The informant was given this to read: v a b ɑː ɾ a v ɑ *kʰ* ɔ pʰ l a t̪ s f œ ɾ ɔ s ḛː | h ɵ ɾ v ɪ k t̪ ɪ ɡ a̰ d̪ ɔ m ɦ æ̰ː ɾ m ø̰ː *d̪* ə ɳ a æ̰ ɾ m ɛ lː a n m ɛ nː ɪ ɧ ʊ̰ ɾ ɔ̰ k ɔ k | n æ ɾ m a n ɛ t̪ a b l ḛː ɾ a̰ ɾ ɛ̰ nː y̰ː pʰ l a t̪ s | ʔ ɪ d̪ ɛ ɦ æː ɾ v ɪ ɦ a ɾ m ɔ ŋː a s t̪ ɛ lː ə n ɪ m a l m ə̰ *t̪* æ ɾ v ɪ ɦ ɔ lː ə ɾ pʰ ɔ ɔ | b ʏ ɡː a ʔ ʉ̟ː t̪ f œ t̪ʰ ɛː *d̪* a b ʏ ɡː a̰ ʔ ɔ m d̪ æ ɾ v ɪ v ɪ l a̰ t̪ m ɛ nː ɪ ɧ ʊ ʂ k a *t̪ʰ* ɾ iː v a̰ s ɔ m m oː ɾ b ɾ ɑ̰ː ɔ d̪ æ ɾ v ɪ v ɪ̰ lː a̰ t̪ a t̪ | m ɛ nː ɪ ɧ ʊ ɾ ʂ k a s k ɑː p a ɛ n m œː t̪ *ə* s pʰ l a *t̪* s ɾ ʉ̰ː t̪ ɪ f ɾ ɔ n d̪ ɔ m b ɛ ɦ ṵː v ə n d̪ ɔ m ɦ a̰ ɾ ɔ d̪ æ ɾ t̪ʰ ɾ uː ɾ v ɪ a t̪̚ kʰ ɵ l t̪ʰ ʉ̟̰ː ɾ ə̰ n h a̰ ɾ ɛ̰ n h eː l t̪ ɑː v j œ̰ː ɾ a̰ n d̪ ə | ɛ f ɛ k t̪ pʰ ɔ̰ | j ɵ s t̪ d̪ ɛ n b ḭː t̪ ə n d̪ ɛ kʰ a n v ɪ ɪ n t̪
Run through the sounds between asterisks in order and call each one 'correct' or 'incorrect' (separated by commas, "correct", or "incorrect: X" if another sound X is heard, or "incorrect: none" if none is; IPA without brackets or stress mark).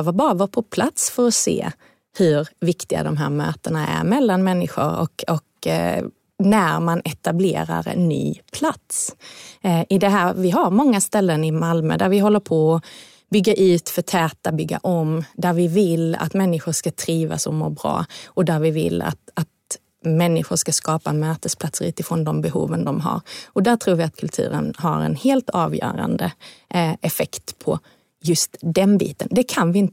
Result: incorrect: pʰ, incorrect: t̪, incorrect: d̪, incorrect: t̪, correct, correct, correct